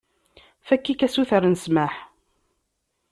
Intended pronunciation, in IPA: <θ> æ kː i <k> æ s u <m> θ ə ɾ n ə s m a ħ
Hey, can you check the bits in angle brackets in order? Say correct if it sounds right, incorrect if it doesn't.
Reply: incorrect, correct, incorrect

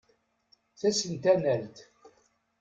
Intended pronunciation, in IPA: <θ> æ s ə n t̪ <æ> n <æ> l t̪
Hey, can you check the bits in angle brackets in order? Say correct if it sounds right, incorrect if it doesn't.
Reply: correct, correct, correct

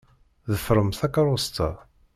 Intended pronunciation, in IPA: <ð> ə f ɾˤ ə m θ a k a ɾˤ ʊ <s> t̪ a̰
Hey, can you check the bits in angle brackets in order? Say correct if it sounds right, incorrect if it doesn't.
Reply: correct, correct

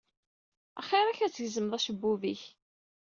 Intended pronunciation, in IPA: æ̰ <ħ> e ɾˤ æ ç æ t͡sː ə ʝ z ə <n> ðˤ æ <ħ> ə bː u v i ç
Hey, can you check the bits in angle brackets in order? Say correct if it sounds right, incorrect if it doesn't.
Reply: incorrect, incorrect, incorrect

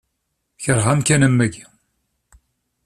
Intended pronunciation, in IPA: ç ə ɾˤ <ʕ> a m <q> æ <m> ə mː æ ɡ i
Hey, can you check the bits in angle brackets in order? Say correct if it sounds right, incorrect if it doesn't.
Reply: incorrect, incorrect, incorrect

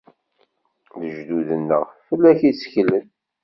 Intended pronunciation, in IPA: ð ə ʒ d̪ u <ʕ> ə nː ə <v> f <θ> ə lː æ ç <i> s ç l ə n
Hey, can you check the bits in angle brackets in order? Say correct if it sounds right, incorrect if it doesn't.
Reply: incorrect, incorrect, incorrect, correct

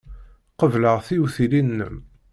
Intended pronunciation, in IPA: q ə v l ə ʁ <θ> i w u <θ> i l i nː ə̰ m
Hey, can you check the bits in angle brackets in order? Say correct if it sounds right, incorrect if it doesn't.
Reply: correct, correct

